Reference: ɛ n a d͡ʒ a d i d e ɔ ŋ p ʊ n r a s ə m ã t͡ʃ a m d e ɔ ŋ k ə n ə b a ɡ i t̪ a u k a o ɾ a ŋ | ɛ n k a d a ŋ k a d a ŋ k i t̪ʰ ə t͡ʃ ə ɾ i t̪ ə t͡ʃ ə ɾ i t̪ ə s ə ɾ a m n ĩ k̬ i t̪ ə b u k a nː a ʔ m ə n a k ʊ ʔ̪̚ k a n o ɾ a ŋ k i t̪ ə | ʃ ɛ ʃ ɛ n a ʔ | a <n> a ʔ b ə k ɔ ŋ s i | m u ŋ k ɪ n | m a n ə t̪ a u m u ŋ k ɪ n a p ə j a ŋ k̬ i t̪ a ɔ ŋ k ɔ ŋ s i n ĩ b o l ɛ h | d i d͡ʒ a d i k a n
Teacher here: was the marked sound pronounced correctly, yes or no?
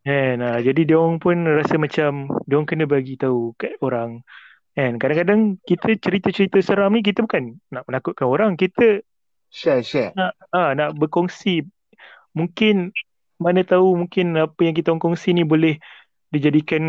yes